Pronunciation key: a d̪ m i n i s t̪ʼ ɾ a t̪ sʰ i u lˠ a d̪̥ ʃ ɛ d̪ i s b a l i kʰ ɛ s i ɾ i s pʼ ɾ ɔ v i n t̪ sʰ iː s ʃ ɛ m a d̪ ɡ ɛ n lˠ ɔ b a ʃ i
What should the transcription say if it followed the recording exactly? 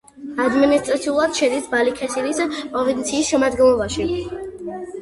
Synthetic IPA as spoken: a d̪ m i n i s t̪ʼ ɾ a t̪ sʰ i u lˠ a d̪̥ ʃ ɛ d̪ i s b a l i kʰ ɛ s i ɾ i s pʼ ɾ ɔ v i n t̪ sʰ iː s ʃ ɛ m a d̪ ɡ ɛ n lˠ ɔ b a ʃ i